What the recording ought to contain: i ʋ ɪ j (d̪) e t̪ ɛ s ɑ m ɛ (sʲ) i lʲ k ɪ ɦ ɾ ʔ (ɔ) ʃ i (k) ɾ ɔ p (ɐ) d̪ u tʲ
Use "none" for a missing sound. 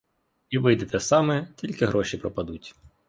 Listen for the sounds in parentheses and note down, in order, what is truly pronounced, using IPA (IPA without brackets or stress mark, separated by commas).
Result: d̪, tʲ, ɔ, p, ɐ